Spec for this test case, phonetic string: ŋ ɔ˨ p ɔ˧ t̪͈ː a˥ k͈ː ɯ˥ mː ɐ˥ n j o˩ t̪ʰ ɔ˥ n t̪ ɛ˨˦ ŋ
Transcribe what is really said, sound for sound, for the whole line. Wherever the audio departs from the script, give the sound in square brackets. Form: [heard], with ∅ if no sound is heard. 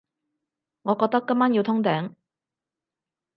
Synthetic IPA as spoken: ŋ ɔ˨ [k] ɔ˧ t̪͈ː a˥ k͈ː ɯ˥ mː [a˥] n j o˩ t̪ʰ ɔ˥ [ŋ] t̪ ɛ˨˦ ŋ